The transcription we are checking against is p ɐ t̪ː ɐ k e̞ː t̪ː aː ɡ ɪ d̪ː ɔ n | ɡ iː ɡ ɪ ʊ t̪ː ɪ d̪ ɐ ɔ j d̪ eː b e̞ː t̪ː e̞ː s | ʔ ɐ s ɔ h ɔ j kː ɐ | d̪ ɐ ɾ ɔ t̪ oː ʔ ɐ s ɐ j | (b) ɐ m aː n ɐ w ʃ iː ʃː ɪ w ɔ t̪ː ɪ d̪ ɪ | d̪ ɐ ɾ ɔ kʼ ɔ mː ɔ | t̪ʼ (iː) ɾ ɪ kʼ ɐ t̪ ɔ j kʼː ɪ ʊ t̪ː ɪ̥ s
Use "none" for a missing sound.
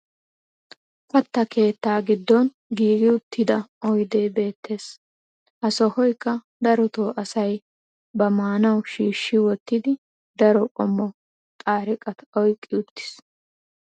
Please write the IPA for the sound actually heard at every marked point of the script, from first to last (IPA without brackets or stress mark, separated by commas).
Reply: b, aː